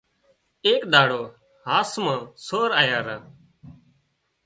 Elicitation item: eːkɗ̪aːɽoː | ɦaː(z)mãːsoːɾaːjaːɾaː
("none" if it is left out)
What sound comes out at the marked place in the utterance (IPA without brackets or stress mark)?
s